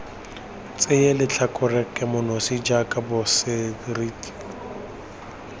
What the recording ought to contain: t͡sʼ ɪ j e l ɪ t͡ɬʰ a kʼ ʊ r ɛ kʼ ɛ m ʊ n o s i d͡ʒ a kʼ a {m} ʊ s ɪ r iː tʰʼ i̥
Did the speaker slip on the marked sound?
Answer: yes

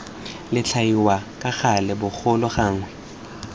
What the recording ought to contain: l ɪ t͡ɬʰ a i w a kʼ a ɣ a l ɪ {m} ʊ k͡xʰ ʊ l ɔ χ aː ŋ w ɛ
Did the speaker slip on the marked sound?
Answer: yes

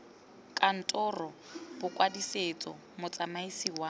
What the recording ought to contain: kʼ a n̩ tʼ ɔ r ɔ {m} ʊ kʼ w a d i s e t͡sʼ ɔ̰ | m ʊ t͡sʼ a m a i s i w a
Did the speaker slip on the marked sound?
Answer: yes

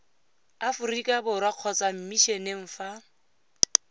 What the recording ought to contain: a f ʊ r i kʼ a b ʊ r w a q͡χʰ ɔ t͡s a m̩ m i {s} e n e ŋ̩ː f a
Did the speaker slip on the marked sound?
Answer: yes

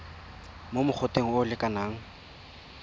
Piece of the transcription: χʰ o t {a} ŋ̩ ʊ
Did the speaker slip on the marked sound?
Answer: yes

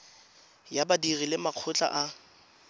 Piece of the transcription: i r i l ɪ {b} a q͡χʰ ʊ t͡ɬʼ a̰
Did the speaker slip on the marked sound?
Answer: yes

